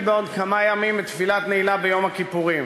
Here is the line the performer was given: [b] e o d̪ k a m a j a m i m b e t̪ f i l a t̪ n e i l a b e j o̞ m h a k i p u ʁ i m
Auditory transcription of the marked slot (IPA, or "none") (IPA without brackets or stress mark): b